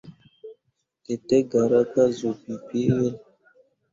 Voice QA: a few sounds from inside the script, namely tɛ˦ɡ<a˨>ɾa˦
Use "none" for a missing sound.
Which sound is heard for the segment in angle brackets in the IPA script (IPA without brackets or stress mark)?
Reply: a˨